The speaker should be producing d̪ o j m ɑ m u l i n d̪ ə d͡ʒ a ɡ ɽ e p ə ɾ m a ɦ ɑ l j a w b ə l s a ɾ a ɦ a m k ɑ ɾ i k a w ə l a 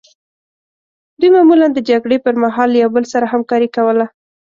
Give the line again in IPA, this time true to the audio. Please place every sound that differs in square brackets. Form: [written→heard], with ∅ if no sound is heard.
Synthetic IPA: d̪ [o→u] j m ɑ m u l [i→a] n d̪ ə d͡ʒ a ɡ ɽ e p ə ɾ m a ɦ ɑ l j a w b ə l s a ɾ a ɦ a m k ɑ ɾ i k a w ə l a